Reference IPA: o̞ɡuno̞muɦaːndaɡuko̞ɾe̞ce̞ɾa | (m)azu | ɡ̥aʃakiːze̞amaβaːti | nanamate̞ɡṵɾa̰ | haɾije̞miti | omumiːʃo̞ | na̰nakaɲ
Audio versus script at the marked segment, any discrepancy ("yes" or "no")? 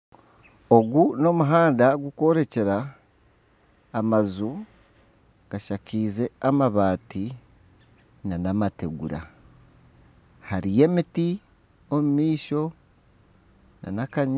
no